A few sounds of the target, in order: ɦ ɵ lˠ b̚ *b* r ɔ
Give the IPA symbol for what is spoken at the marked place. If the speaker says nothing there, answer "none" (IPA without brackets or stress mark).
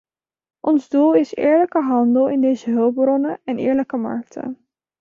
b